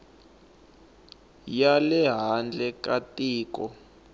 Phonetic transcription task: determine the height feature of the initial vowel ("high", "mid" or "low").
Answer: low